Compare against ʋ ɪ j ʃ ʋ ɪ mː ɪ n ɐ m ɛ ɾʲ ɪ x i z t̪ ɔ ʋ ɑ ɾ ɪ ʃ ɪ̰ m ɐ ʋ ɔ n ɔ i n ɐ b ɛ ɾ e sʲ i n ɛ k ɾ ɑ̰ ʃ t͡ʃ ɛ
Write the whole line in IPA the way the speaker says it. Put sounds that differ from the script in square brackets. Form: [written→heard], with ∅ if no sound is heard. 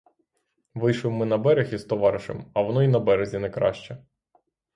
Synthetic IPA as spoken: ʋ ɪ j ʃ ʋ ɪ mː ɪ n ɐ [m→b] ɛ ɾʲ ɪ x i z t̪ ɔ ʋ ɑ ɾ ɪ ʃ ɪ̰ m ɐ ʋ ɔ n ɔ i n ɐ b ɛ ɾ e [sʲ→zʲ] i n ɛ k ɾ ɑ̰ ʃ t͡ʃ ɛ